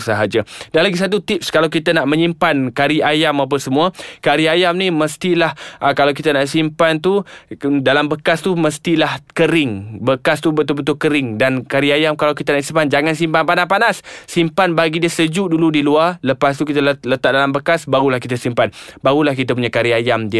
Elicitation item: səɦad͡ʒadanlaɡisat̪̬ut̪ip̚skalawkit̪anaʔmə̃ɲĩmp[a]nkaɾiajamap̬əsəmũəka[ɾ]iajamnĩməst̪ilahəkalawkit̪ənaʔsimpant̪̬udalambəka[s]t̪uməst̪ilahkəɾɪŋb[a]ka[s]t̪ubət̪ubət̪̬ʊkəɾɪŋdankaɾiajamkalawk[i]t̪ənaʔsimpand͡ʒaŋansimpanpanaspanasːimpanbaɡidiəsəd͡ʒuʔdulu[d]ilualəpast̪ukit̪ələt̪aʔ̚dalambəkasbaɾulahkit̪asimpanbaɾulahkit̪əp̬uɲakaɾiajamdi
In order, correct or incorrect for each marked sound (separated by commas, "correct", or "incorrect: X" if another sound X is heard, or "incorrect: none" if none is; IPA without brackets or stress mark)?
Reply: correct, correct, correct, incorrect: ə, correct, correct, correct